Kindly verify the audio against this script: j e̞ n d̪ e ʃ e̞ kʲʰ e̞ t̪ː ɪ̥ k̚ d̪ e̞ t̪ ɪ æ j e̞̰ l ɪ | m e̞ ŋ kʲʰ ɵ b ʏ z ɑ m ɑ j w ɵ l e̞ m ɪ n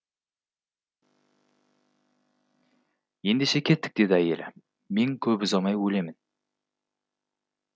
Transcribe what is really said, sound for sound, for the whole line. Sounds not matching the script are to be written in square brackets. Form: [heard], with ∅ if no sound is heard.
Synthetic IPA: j e̞ n d̪ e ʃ e̞ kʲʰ e̞ t̪ː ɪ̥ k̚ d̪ e̞ [d̪] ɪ æ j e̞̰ l ɪ | m e̞ ŋ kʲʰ ɵ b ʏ z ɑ m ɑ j w ɵ l e̞ m ɪ n